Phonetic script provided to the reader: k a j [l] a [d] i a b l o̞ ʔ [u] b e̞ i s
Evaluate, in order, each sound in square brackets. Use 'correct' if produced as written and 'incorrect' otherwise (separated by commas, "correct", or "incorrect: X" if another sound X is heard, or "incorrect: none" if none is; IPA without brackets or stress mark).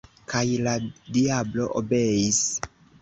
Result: correct, correct, incorrect: o